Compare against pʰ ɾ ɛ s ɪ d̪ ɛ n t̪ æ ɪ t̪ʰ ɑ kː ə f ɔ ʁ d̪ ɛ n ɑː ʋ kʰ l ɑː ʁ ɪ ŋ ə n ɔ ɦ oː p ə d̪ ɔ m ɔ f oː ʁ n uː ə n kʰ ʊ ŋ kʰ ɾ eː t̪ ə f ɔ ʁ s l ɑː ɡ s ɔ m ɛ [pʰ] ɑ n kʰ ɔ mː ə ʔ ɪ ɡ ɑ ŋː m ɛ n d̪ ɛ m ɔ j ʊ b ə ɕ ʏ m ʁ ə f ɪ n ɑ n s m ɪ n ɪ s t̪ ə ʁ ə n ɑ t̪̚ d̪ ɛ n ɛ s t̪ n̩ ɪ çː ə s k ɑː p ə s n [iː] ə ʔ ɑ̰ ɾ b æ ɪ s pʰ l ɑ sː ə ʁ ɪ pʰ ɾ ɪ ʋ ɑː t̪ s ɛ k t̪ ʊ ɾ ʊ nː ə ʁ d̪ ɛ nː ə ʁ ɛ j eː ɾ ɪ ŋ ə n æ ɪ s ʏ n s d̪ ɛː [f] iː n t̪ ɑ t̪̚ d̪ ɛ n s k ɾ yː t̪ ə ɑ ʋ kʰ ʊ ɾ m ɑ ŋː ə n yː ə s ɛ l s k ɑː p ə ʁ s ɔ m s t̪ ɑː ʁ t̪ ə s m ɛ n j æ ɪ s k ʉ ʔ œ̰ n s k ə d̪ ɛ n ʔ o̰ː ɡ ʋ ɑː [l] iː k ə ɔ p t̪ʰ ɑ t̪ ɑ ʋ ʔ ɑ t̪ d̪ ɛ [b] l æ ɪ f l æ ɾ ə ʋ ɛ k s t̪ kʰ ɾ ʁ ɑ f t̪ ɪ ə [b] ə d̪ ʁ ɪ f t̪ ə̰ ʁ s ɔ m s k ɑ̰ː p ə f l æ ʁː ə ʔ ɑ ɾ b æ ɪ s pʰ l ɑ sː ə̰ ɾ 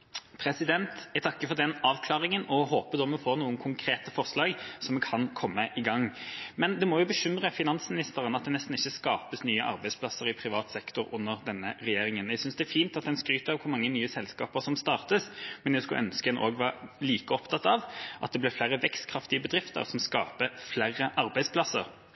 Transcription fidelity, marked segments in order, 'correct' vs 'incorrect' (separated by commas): incorrect, incorrect, correct, correct, correct, correct